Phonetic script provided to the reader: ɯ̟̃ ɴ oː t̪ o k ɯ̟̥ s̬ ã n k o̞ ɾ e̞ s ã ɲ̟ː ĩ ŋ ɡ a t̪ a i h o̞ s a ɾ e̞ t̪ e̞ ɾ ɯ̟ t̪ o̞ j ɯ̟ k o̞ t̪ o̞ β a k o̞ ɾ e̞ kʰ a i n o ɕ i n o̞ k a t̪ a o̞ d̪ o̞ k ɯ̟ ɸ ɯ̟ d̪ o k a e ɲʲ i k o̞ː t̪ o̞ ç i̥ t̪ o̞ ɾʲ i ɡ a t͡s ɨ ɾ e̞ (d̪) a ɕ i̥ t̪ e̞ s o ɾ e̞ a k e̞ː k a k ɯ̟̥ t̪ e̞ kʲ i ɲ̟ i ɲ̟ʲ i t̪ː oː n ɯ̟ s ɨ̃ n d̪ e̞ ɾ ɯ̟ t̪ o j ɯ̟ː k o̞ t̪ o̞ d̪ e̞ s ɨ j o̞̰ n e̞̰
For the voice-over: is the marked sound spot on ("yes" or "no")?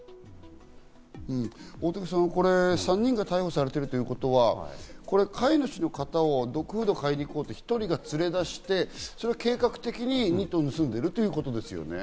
yes